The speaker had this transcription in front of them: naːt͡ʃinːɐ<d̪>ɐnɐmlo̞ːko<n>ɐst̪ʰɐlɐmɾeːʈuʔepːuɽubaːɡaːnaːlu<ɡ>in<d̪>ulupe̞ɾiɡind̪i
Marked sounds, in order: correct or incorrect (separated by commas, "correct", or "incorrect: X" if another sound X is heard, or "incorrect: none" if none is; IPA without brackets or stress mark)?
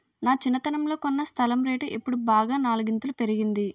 incorrect: t̪, incorrect: nː, correct, incorrect: t̪